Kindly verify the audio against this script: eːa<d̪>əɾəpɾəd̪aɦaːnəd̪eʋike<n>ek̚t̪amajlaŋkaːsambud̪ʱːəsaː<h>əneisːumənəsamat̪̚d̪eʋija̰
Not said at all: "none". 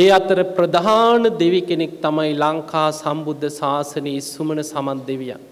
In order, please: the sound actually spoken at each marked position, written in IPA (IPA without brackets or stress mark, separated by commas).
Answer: t̪, n, s